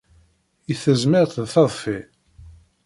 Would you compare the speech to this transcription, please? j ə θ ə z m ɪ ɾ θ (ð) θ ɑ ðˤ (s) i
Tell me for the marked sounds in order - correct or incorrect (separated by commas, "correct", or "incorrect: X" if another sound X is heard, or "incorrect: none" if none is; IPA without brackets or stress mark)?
correct, incorrect: f